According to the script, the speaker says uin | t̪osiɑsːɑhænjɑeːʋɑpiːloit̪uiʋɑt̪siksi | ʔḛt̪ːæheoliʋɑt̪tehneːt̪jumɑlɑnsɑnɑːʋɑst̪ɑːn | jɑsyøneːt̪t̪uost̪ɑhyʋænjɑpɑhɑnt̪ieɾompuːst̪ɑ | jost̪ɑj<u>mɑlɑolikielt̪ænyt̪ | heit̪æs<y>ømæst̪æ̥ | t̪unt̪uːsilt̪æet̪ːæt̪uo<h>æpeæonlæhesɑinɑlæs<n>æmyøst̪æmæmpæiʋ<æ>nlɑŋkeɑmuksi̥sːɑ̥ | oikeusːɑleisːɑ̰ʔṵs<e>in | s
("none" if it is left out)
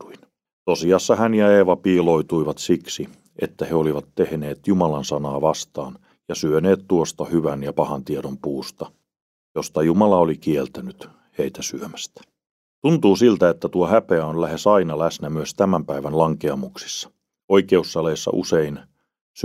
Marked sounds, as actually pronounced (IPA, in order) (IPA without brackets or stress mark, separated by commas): u, y, h, n, æ, e